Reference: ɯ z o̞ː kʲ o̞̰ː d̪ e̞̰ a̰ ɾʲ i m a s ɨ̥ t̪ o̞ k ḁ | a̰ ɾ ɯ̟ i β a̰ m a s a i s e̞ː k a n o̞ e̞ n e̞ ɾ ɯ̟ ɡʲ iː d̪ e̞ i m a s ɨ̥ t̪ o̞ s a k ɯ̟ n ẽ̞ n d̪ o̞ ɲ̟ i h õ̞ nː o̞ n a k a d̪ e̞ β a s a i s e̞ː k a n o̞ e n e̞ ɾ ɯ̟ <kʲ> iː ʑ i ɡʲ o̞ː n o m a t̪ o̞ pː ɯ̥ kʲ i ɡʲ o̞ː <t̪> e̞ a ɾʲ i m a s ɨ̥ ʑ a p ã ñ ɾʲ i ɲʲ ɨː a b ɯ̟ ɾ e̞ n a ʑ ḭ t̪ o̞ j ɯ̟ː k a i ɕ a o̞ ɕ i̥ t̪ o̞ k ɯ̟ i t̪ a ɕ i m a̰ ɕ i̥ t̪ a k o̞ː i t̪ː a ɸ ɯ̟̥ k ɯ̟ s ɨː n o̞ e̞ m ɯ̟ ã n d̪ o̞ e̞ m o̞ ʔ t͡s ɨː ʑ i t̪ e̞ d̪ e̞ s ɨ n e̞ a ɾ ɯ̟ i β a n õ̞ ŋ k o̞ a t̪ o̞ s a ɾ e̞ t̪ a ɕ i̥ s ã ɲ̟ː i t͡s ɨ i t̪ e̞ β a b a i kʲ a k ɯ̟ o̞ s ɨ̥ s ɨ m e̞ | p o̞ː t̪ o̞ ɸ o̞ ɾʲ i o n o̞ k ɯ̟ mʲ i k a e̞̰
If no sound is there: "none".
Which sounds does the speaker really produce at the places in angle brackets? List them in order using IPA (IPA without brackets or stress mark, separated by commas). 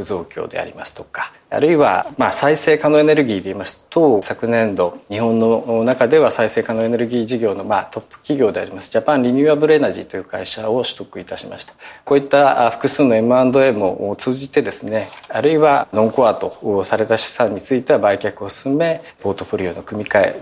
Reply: ɡʲ, d̪